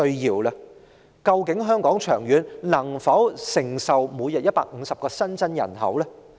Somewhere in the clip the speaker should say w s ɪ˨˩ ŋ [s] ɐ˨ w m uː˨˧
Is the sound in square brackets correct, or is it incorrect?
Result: correct